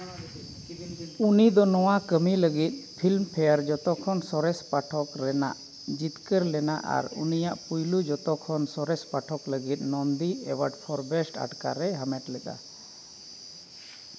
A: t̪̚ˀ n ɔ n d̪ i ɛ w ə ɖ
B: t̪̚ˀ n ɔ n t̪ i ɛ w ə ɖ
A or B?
A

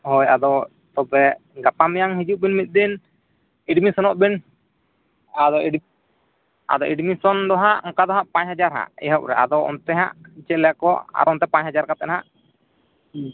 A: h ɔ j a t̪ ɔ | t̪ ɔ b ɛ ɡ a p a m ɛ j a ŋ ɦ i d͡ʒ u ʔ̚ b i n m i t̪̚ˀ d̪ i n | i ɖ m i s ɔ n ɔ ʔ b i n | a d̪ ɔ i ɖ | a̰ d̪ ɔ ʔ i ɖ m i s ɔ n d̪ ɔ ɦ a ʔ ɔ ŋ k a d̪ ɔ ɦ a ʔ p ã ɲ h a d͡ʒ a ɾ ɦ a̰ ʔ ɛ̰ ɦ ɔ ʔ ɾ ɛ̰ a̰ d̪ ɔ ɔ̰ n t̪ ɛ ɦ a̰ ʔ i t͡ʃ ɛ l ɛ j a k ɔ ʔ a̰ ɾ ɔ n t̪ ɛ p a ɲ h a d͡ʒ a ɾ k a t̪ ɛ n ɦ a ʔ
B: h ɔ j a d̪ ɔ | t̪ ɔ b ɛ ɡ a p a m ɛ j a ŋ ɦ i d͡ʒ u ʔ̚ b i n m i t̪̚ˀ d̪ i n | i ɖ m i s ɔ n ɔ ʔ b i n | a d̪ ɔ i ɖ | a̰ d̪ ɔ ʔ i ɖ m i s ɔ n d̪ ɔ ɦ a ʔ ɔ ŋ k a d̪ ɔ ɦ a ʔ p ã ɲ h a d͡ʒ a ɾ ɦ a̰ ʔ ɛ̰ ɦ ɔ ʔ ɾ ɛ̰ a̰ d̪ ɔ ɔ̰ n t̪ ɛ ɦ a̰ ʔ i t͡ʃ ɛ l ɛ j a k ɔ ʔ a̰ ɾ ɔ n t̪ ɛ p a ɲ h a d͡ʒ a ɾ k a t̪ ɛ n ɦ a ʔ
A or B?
B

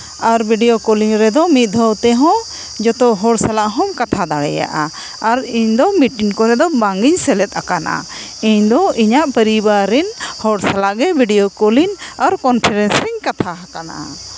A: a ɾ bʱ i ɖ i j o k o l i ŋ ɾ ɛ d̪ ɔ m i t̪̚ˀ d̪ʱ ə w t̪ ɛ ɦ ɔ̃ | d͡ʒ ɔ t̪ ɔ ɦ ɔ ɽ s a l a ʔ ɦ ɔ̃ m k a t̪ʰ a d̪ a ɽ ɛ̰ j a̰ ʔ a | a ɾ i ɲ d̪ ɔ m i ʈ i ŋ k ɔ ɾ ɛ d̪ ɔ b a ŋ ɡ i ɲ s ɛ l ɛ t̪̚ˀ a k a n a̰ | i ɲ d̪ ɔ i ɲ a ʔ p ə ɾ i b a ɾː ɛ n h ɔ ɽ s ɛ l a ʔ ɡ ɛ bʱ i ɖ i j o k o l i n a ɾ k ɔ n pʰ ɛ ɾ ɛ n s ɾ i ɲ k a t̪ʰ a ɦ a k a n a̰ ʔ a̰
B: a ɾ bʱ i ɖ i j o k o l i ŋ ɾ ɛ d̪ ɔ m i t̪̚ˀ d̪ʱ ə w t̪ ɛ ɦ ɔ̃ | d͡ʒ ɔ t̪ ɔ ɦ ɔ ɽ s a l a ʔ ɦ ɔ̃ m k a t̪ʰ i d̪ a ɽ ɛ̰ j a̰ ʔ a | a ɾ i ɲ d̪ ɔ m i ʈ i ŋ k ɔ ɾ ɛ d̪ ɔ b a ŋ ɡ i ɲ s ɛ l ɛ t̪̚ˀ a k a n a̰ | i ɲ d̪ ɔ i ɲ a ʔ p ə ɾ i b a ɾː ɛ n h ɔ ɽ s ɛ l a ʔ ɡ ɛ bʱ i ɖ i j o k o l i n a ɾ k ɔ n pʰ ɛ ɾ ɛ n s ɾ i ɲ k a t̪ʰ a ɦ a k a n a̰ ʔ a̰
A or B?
A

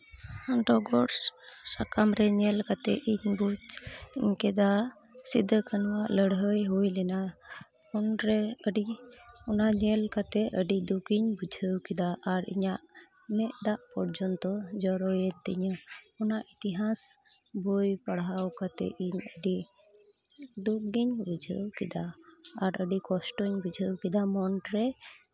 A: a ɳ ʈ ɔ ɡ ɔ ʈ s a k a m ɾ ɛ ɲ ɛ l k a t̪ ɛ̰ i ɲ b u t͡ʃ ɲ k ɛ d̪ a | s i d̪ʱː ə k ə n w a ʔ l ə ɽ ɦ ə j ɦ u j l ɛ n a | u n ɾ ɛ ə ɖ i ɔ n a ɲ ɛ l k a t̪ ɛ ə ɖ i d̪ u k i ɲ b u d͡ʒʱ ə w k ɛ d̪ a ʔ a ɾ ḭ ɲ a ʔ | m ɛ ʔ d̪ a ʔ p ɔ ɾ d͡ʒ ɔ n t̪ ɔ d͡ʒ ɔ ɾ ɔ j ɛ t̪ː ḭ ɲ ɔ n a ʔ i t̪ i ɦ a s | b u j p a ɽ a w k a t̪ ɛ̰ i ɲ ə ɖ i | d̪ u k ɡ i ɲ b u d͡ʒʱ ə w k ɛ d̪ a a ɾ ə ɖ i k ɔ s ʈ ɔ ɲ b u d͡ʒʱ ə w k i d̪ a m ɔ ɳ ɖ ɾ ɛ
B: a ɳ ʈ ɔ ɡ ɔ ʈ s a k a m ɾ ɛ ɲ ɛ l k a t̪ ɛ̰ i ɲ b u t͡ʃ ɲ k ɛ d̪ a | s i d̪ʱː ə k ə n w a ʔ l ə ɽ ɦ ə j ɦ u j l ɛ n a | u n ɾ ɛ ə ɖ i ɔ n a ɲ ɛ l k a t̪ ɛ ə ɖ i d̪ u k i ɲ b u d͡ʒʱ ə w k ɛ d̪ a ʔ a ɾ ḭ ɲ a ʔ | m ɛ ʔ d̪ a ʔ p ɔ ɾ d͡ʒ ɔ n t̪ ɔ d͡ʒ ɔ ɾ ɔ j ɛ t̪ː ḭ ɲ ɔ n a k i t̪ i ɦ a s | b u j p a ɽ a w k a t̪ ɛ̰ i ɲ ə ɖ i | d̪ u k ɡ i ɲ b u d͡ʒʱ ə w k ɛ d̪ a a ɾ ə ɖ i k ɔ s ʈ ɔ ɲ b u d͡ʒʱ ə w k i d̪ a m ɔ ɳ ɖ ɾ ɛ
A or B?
A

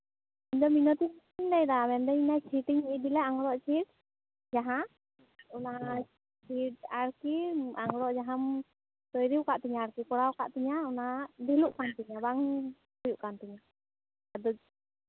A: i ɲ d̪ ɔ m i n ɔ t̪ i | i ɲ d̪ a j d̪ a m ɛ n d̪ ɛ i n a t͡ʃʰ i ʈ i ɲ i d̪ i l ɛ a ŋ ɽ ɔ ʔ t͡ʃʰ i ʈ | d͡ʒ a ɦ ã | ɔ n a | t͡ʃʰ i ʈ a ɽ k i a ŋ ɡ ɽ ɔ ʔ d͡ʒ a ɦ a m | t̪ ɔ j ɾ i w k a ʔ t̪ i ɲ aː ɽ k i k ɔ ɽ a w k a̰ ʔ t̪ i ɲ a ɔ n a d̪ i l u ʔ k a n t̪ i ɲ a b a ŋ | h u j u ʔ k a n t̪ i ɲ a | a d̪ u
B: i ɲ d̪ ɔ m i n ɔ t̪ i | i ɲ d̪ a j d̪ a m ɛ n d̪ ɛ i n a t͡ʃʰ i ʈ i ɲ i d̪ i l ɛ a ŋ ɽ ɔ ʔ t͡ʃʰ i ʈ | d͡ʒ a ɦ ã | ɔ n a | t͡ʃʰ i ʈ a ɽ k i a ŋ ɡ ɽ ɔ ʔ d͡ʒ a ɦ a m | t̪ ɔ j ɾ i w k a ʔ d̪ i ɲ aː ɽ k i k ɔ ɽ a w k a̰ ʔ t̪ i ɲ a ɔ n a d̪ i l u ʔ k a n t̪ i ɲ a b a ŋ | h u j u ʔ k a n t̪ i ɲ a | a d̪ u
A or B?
A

